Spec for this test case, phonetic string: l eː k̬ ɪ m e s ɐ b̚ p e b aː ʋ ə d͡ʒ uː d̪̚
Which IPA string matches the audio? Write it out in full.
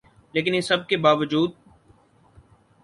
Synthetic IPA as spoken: l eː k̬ ɪ n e s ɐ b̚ k e b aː ʋ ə d͡ʒ uː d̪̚